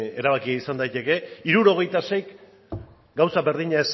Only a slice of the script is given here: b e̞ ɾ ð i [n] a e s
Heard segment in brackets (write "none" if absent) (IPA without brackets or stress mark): ɲ